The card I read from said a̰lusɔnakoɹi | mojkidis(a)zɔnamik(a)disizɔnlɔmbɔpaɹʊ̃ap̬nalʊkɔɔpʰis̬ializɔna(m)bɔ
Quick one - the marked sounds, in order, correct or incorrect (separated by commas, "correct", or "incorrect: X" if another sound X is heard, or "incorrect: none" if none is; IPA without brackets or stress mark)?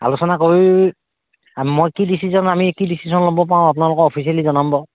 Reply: incorrect: i, incorrect: i, correct